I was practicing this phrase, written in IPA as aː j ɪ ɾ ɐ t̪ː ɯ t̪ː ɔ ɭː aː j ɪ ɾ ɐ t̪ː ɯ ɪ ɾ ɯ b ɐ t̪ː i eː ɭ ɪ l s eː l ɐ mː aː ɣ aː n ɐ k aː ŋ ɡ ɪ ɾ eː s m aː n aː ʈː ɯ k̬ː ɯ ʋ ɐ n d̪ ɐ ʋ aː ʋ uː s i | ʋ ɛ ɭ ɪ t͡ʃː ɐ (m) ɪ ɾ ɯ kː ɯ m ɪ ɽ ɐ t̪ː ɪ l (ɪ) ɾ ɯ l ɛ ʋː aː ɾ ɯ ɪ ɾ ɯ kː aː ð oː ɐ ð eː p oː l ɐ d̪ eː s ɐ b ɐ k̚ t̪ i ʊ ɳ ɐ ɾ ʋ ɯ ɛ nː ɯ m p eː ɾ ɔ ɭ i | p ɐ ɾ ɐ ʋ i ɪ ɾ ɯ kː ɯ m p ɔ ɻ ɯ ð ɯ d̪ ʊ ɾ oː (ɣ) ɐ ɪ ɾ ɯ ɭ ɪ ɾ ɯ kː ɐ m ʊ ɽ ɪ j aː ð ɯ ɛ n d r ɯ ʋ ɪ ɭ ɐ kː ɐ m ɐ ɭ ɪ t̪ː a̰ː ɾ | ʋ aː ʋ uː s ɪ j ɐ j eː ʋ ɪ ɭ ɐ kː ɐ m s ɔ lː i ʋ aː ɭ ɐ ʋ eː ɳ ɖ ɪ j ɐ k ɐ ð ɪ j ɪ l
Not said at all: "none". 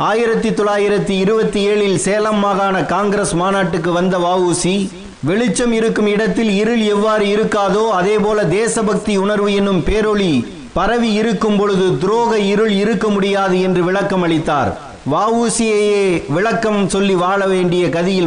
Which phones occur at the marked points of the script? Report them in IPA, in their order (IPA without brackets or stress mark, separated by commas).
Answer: m, ɪ, ɣ